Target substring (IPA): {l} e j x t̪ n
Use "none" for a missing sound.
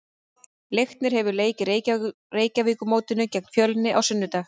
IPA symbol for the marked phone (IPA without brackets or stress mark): l